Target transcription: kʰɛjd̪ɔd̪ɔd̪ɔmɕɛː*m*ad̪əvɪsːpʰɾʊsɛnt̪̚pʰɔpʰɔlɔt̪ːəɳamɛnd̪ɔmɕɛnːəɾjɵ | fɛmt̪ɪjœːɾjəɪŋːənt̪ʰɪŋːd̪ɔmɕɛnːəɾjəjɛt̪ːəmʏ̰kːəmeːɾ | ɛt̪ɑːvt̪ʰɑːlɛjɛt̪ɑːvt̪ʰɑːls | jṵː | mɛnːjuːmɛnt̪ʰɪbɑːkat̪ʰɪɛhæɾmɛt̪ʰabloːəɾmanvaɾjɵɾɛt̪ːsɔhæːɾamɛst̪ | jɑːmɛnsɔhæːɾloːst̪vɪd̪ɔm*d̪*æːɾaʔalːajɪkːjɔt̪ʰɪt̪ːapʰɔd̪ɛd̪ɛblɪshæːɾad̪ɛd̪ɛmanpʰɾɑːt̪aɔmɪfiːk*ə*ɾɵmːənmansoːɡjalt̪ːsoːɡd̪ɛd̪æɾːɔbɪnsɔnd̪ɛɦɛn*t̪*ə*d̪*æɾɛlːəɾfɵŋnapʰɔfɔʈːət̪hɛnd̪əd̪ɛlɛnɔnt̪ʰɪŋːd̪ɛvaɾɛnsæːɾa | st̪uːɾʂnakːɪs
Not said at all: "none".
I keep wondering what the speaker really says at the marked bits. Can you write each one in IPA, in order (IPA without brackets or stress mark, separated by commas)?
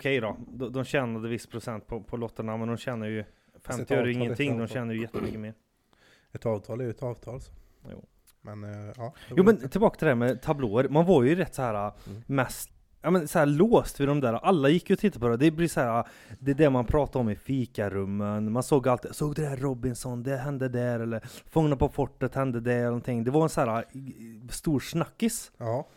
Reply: n, d̪, a, d̪, d̪